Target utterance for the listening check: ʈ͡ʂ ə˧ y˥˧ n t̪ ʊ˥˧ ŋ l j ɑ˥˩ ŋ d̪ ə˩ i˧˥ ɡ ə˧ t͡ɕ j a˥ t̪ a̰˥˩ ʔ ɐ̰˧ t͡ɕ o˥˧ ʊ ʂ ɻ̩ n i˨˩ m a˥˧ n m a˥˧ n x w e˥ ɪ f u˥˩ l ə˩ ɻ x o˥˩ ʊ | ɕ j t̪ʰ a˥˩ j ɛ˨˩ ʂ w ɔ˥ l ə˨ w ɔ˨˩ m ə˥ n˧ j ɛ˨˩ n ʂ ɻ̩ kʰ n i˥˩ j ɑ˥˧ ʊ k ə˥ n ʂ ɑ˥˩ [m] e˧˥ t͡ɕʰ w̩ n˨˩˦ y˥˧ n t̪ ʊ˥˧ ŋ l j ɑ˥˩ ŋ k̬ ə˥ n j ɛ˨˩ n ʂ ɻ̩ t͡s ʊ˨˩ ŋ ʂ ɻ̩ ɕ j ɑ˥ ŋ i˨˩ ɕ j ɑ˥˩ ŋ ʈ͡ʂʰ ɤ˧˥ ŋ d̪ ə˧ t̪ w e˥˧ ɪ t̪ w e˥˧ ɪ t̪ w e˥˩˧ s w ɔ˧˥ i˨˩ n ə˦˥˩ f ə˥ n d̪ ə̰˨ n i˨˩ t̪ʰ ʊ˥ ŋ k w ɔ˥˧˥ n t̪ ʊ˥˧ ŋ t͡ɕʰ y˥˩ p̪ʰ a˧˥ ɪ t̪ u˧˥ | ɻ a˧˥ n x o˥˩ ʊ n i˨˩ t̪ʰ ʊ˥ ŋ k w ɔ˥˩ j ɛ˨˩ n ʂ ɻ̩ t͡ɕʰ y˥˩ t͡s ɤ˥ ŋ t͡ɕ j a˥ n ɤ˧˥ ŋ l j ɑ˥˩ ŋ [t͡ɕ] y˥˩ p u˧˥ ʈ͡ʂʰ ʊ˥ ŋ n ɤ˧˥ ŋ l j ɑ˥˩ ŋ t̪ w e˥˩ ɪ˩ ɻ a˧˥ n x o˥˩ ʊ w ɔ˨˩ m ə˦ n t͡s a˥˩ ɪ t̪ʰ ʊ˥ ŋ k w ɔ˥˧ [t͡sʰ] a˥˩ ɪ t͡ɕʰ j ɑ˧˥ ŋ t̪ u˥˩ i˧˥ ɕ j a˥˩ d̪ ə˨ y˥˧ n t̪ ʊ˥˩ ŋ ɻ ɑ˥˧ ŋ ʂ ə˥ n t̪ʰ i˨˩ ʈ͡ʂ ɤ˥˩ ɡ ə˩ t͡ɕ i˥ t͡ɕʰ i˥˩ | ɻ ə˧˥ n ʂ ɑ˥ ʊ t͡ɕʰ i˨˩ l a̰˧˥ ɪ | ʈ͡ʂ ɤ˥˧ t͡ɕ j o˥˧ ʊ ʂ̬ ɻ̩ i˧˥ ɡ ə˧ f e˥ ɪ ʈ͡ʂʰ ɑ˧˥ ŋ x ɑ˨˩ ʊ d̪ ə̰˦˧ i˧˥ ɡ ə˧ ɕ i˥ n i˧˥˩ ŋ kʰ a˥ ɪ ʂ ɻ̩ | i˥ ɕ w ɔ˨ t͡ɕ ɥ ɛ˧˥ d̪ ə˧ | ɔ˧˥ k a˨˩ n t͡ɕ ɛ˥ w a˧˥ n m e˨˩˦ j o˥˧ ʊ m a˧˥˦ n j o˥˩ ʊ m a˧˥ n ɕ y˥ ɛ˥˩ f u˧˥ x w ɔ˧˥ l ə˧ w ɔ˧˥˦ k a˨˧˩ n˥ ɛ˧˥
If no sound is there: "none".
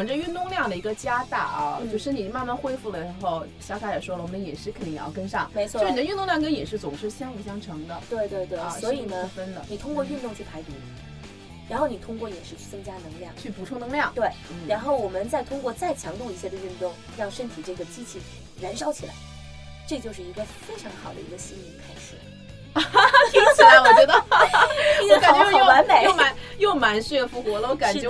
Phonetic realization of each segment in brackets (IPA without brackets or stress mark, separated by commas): ŋ, t͡ɕʰ, t͡s